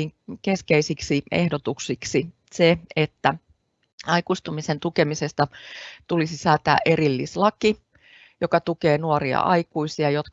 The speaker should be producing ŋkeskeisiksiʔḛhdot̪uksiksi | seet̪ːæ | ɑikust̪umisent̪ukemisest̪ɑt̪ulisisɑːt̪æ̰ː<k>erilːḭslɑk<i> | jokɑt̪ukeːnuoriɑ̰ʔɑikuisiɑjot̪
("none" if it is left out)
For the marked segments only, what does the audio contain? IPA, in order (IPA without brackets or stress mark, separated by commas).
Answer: ʔ, i